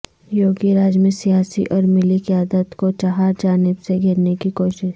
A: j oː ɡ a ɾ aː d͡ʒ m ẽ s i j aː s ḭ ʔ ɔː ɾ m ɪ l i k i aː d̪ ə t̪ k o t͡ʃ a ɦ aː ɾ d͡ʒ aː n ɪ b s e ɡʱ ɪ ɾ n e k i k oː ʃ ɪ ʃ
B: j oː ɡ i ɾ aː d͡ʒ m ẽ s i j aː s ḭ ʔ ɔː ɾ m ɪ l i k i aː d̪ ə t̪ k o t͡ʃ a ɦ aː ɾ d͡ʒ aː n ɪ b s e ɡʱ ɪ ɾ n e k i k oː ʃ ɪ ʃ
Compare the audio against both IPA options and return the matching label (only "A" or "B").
B